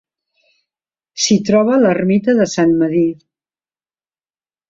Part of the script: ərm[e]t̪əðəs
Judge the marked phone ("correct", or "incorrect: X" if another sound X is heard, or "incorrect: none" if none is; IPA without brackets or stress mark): incorrect: i